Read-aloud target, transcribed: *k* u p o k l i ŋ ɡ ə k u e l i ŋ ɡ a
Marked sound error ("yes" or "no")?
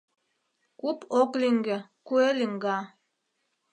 no